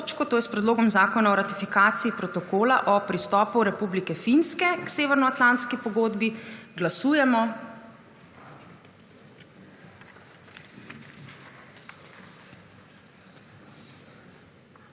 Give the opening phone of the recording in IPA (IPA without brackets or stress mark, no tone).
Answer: t͡ʃ